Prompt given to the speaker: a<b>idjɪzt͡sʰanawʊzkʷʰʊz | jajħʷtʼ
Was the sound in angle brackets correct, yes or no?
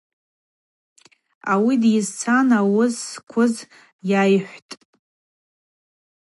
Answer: no